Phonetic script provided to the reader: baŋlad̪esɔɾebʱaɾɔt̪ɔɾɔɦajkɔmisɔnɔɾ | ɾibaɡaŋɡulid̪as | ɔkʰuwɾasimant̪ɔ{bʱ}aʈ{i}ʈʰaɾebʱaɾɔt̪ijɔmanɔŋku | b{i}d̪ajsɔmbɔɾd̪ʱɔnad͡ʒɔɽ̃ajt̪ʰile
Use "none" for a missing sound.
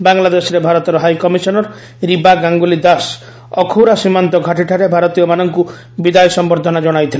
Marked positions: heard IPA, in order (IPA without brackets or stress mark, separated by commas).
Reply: ɡʱ, i, i